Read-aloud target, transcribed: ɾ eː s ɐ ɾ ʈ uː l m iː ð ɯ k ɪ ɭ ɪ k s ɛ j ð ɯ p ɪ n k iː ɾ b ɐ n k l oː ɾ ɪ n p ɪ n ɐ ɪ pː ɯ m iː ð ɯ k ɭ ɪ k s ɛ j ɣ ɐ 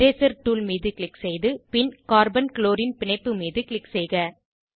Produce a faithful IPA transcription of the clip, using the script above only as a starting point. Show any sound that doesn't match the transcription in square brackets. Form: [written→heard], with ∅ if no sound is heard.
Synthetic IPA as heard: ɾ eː s ɐ ɾ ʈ uː l m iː ð ɯ k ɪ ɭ ɪ k s ɛ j ð ɯ p ɪ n k [iː→aː] ɾ b ɐ n k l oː ɾ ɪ n p ɪ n ɐ ɪ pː ɯ m iː ð ɯ k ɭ ɪ k s ɛ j ɣ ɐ